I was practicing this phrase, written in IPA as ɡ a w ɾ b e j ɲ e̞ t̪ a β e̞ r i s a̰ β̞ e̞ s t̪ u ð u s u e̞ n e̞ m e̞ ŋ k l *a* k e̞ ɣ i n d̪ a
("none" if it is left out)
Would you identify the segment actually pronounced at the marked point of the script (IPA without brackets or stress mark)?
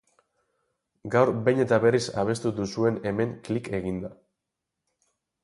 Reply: i